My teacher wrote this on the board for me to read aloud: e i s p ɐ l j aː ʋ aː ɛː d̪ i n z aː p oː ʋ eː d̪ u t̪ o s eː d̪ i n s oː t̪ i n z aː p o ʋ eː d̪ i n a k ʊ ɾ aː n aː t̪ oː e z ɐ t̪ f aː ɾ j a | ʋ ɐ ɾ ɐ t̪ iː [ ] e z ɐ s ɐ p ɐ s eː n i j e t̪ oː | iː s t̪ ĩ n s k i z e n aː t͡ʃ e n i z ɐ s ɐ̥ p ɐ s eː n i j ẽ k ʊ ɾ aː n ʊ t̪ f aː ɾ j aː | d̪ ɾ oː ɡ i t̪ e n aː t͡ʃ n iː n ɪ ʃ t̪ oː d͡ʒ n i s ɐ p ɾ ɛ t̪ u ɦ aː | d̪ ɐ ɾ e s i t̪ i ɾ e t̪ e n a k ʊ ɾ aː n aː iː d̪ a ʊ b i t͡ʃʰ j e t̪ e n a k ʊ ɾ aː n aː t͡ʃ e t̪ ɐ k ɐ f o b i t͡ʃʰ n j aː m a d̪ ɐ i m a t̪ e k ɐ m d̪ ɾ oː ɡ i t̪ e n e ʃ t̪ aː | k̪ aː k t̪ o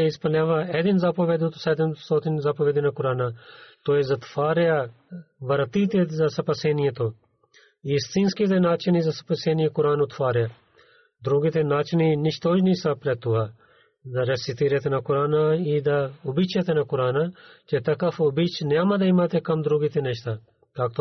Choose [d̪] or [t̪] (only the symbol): t̪